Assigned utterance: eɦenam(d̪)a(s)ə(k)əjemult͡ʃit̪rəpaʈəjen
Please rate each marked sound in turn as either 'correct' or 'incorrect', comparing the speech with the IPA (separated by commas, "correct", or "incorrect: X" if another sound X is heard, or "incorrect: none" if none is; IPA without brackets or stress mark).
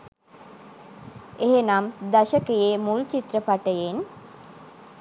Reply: correct, incorrect: ʃ, correct